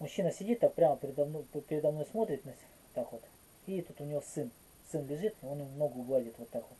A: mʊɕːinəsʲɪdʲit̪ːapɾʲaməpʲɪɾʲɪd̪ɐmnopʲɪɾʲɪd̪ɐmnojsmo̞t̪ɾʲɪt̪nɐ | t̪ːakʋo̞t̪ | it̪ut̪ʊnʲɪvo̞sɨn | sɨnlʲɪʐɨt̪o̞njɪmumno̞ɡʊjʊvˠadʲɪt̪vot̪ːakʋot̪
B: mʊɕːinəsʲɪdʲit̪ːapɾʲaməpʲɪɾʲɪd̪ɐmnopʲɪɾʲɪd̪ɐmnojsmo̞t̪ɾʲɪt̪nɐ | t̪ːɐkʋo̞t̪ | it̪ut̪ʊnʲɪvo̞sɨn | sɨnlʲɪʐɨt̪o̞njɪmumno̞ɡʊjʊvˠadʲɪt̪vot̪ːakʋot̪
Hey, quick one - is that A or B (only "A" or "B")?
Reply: A